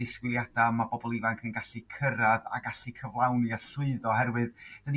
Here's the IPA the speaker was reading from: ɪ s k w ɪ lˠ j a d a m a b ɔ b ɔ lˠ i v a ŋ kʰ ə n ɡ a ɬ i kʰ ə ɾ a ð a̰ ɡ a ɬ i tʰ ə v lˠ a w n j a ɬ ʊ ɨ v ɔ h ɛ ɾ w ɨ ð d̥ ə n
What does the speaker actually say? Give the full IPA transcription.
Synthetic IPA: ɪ s k w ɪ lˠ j a d a m a b ɔ b ɔ lˠ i v a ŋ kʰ ə n ɡ a ɬ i kʰ ə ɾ a ð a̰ ɡ a ɬ i kʰ ə v lˠ a w n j a ɬ ʊ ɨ ð ɔ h ɛ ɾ w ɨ ð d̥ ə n

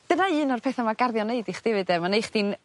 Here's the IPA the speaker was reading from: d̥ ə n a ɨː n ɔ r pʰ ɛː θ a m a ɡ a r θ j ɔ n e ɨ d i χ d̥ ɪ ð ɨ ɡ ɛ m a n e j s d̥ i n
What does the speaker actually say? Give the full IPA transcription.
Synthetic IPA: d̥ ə n a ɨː n ɔ r pʰ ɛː θ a m a ɡ a r ð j ɔ n e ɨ d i χ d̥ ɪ v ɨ d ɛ m a n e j χ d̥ i n

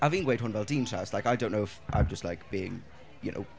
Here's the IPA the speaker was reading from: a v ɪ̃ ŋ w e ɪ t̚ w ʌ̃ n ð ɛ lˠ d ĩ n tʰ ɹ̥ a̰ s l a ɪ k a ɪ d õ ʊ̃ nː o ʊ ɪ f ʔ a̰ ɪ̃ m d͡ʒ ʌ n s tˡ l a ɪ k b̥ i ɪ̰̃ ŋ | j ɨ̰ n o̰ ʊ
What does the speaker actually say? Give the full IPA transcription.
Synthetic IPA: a v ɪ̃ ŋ w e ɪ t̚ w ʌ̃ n v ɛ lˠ d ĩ n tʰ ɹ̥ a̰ s l a ɪ k a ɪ d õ ʊ̃ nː o ʊ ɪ f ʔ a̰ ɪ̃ m d͡ʒ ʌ s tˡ l a ɪ k b̥ i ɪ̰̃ ŋ | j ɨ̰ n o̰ ʊ

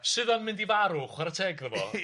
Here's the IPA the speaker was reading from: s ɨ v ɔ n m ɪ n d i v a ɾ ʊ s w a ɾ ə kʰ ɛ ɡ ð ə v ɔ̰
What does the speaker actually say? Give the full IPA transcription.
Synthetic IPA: s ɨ ð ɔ n m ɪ n d i v a ɾ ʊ χ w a ɾ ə tʰ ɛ ɡ ð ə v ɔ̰

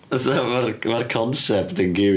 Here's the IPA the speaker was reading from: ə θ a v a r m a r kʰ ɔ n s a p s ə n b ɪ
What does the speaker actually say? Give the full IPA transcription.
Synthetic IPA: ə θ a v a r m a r kʰ ɔ n s ɛ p t ə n ɡ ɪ

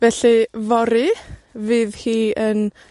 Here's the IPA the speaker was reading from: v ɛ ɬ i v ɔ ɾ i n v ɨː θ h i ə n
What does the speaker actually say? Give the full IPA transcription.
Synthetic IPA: v ɛ ɬ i v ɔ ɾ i v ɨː ð h iː ə n

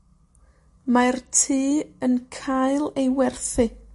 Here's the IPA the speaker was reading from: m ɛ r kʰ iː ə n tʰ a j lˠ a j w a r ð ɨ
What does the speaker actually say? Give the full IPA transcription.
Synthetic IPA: m a r tʰ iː ə n kʰ a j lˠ e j w ɛ r θ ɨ

